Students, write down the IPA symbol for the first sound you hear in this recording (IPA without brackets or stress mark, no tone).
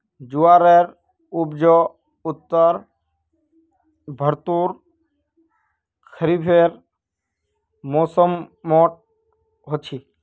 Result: d͡ʒ